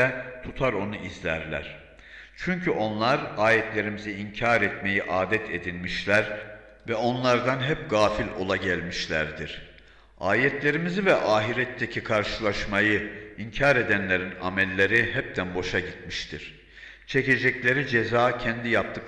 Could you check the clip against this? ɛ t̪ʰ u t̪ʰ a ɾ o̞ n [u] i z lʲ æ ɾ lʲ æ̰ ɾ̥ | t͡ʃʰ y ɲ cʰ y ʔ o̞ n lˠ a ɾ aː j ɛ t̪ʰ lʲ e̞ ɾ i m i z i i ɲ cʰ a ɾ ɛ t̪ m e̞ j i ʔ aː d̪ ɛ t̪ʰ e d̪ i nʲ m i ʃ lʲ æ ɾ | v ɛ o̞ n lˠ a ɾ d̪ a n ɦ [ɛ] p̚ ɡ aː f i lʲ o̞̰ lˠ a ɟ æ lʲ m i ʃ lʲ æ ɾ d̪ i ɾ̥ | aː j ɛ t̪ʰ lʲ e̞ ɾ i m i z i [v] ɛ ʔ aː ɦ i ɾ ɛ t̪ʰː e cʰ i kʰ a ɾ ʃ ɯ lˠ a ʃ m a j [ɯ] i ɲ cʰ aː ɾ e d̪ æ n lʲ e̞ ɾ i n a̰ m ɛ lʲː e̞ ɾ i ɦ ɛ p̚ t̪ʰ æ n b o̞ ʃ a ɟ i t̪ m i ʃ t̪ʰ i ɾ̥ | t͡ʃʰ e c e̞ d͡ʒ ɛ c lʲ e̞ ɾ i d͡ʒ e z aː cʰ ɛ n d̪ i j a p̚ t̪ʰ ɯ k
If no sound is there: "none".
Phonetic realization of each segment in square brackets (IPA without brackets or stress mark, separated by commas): u, ɛ, v, ɯ